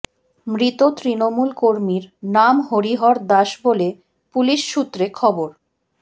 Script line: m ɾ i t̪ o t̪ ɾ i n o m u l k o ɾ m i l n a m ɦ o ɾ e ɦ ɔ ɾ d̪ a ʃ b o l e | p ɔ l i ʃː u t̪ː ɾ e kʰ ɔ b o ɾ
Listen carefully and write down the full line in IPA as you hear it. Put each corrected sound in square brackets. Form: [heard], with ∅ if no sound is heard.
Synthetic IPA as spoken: m ɾ i t̪ o t̪ ɾ i n o m u l k o ɾ m i [ɾ] n a m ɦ o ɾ [i] ɦ ɔ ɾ d̪ a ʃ b o l e | p [u] l i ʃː u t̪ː ɾ e kʰ ɔ b o ɾ